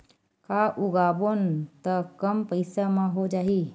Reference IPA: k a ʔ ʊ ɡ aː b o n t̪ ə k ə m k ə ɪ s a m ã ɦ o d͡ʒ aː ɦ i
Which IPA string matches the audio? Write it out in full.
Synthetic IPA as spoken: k a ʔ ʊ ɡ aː b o n t̪ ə k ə m p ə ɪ s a m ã ɦ o d͡ʒ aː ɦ i